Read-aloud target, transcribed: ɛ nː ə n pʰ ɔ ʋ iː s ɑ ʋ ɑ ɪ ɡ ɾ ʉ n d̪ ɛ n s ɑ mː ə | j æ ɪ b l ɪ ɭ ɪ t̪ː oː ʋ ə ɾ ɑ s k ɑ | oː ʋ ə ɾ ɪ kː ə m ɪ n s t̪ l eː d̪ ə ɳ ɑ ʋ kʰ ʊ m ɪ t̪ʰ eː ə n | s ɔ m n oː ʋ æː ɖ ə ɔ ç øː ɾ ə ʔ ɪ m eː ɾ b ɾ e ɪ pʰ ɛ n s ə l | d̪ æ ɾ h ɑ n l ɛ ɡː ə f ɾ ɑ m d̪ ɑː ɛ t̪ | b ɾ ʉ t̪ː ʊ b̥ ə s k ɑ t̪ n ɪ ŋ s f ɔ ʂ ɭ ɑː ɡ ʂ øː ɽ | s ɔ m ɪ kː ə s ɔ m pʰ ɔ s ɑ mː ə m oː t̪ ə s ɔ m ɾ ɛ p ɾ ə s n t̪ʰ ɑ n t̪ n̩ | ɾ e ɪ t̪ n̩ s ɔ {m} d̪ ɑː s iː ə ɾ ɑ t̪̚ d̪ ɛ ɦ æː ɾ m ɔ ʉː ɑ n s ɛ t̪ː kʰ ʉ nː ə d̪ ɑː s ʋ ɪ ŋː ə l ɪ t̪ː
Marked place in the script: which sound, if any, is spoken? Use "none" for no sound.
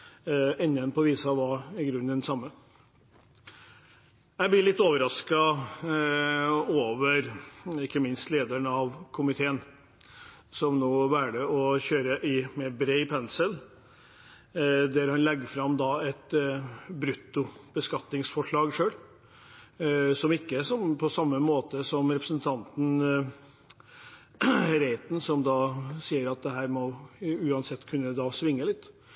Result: m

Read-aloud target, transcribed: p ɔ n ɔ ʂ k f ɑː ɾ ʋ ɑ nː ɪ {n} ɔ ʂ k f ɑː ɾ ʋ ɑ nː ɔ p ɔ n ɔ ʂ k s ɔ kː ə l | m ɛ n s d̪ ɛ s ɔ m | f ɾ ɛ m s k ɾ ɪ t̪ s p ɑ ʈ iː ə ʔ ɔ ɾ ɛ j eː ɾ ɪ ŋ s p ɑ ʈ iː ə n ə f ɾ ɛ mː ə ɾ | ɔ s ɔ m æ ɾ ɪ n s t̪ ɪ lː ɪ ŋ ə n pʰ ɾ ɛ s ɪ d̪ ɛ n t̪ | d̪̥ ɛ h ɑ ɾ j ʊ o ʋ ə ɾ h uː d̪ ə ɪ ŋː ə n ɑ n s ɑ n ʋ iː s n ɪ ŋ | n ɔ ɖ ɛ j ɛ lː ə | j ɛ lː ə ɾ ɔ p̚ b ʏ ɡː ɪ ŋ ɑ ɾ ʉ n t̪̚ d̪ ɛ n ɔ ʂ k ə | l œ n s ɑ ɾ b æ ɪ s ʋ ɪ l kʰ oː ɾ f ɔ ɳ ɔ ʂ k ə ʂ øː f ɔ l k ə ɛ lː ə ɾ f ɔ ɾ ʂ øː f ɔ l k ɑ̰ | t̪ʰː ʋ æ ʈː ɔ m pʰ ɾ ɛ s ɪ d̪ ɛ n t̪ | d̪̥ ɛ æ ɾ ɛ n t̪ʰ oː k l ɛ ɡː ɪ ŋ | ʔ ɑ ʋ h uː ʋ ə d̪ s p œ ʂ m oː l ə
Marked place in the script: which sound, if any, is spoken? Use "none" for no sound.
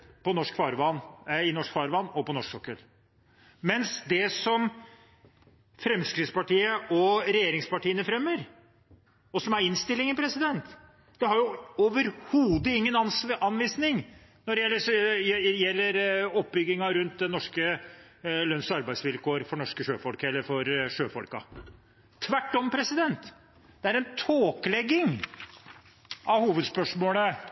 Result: n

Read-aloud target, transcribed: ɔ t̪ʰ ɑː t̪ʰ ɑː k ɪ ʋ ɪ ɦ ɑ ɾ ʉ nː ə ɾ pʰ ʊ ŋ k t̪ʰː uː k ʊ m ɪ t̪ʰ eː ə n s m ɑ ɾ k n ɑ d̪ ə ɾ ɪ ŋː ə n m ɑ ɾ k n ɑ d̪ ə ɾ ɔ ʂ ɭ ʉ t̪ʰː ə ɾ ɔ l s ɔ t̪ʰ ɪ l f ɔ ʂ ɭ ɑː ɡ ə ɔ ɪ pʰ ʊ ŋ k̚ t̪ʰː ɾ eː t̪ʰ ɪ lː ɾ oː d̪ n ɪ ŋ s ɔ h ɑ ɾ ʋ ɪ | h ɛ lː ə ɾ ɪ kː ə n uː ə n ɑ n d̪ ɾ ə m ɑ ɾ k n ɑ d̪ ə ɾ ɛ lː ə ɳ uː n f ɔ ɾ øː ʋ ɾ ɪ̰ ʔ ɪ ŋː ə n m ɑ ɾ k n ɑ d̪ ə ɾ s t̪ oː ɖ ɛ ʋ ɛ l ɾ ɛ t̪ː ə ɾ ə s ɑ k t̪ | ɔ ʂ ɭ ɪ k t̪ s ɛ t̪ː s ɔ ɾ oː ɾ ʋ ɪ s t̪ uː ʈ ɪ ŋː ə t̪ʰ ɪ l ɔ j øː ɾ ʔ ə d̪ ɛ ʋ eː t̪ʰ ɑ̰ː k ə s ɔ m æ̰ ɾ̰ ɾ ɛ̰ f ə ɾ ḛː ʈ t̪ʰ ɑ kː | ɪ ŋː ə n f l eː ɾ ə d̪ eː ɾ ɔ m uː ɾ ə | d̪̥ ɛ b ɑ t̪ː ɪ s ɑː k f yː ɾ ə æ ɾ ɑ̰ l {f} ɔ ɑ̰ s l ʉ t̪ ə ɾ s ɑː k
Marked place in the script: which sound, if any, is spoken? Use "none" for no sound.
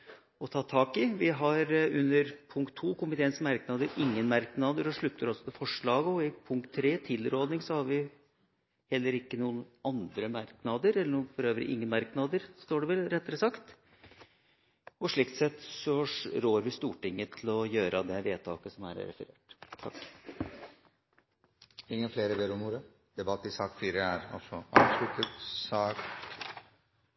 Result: s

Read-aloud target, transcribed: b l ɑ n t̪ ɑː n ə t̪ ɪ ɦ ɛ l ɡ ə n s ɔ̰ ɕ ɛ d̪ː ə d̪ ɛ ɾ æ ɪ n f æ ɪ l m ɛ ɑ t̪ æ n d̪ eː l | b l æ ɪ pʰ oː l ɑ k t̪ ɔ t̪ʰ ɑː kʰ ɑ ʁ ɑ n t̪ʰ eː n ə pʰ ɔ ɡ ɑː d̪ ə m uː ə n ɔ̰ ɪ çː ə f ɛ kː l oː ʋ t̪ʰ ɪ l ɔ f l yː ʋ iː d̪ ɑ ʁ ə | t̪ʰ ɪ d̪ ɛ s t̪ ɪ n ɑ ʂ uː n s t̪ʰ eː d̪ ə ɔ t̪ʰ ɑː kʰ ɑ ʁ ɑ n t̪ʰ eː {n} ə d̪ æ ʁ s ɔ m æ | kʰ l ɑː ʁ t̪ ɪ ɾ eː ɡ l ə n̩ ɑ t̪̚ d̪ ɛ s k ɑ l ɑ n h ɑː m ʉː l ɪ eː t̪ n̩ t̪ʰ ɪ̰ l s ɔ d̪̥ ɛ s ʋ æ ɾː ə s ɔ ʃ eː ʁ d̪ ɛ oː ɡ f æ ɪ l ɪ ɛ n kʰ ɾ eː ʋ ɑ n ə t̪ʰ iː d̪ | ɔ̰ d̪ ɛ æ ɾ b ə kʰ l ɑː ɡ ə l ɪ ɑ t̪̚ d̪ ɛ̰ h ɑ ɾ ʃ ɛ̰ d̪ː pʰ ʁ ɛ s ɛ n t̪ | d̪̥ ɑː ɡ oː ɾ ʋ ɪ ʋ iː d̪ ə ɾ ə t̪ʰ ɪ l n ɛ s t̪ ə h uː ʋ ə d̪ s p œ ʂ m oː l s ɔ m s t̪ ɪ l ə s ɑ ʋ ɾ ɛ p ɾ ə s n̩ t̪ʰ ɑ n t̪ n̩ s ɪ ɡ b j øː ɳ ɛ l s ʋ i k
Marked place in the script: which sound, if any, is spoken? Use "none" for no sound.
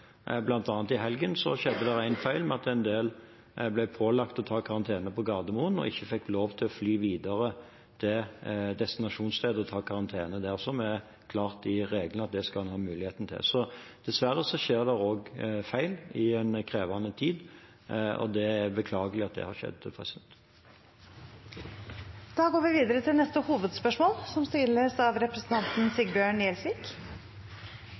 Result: n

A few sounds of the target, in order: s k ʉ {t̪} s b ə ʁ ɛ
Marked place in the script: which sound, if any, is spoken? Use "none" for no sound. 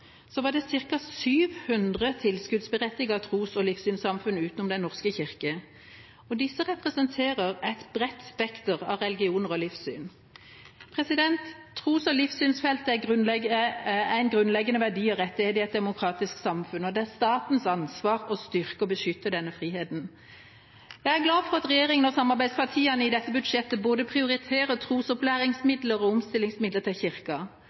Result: d̪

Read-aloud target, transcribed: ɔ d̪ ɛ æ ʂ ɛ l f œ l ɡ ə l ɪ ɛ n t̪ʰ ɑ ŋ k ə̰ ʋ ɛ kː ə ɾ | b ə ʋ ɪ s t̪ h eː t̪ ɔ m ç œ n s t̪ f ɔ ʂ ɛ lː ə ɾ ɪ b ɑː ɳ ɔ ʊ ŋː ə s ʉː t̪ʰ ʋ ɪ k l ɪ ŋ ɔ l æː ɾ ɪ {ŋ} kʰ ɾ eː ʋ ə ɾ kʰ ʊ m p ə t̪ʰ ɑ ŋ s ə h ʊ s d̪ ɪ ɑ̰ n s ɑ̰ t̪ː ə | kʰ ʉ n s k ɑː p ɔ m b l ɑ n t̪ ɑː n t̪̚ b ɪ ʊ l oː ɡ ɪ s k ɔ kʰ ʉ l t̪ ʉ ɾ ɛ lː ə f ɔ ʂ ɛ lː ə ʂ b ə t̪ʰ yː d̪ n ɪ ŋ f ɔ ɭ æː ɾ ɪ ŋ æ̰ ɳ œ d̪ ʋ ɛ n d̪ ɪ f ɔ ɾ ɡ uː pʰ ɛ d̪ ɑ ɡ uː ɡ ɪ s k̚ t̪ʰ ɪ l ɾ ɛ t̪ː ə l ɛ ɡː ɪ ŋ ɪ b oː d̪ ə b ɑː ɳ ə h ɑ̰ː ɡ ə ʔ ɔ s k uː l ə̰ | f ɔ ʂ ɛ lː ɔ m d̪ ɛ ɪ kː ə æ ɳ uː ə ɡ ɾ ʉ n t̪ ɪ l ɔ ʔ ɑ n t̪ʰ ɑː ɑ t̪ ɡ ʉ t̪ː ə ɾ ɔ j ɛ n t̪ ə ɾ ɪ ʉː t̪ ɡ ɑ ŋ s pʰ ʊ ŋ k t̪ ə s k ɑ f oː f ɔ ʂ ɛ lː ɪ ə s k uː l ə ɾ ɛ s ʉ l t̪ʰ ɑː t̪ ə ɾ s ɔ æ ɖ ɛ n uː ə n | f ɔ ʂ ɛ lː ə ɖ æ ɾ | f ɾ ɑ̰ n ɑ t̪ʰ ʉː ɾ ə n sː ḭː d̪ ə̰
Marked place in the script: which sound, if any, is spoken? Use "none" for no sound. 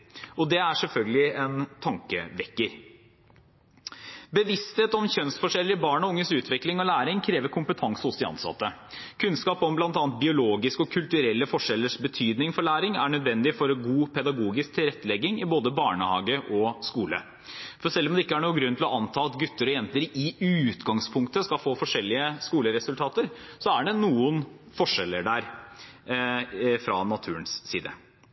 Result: ŋ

